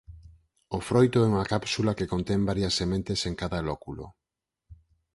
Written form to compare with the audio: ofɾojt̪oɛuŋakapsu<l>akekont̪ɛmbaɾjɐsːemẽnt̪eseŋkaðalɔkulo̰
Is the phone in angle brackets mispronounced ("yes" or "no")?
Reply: no